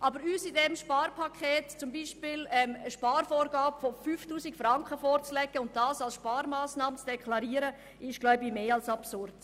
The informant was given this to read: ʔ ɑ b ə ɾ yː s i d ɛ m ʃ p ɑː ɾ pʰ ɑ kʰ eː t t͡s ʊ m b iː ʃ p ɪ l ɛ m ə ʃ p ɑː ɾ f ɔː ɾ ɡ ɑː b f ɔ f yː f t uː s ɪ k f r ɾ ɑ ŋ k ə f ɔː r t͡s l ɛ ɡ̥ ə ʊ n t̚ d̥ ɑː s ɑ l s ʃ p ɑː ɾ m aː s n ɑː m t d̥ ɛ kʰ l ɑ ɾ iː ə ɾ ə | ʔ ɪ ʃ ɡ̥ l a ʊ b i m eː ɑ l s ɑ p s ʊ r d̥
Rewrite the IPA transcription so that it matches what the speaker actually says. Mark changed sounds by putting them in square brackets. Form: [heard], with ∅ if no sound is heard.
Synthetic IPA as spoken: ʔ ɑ b ə ɾ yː s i d ɛ m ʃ p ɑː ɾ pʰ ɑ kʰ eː t t͡s ʊ m b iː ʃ p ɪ l ɛ m ə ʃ p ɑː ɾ f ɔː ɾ ɡ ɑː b f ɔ f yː f t uː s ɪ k f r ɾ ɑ ŋ k ə f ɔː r t͡s l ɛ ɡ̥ ə ʊ n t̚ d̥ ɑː s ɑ l s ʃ p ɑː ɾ m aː s n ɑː m [t͡s] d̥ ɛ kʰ l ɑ ɾ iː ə ɾ ə | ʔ ɪ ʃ ɡ̥ l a ʊ b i m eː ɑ l s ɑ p s ʊ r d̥